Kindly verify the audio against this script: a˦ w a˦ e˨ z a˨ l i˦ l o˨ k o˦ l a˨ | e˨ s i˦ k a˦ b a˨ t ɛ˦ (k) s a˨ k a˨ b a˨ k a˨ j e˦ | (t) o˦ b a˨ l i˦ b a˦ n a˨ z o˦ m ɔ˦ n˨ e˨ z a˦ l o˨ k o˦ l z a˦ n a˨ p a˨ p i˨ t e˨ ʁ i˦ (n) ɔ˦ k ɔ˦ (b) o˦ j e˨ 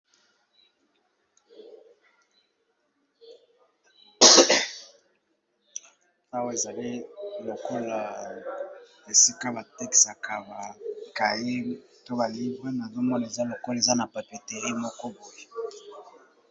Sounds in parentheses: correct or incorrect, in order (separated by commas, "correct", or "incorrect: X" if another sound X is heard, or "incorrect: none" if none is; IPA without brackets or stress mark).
correct, correct, incorrect: m, correct